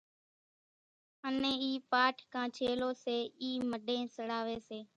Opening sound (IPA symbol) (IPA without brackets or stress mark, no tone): ə